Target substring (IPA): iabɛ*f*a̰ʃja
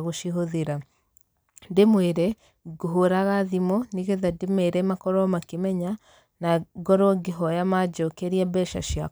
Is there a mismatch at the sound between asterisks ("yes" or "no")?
yes